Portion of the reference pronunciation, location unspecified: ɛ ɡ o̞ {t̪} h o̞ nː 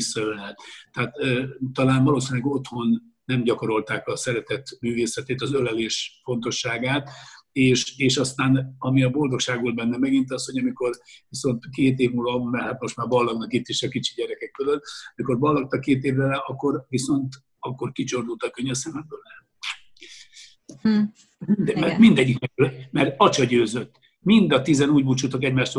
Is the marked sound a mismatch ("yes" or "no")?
no